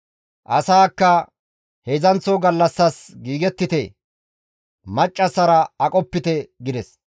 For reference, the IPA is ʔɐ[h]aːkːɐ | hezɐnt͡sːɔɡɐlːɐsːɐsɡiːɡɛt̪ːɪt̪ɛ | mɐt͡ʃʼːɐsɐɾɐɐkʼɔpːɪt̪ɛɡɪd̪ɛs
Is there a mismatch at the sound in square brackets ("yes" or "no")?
yes